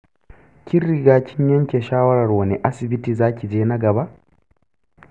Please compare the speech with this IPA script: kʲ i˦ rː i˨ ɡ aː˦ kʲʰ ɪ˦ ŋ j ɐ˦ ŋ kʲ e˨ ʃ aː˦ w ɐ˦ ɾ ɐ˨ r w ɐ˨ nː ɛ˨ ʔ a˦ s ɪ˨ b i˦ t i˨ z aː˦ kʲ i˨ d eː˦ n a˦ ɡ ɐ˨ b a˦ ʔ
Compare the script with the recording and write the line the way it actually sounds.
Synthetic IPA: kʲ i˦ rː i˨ ɡ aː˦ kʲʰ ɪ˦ ɲ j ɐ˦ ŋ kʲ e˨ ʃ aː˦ w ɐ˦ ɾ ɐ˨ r w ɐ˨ n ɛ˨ ʔ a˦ s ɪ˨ b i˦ t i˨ z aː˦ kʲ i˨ d͡ʒ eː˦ n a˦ ɡ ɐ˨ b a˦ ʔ